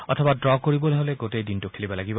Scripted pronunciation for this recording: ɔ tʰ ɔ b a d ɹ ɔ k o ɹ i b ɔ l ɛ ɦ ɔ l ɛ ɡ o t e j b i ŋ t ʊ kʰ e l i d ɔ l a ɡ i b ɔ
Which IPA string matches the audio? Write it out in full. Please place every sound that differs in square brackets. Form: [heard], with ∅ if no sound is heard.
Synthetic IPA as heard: ɔ tʰ ɔ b a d ɹ ɔ k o ɹ i b ɔ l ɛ ɦ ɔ l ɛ ɡ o t e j [d] i [n] t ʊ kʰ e l i [b] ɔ l a ɡ i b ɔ